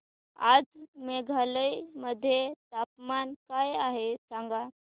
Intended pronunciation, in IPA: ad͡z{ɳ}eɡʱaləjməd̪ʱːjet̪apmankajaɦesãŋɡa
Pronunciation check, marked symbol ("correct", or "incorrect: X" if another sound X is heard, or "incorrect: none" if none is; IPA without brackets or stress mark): incorrect: m